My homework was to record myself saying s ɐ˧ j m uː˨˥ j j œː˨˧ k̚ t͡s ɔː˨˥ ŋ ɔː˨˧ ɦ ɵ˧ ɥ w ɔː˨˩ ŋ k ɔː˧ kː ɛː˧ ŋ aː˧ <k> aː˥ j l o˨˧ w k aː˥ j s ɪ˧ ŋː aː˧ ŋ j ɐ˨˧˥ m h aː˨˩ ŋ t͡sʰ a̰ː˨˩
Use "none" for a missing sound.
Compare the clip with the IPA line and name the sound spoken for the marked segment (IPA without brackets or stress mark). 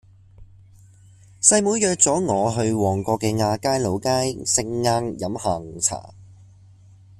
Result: k